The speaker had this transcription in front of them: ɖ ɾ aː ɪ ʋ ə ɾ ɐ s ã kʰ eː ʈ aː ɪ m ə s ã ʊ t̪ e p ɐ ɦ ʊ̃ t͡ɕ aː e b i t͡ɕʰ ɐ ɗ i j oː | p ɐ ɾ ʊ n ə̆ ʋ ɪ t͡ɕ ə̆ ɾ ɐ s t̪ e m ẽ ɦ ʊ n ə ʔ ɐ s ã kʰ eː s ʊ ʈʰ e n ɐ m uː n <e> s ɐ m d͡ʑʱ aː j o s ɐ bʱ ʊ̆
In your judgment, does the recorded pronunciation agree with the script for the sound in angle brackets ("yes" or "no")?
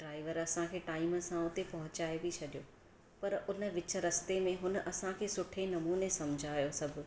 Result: yes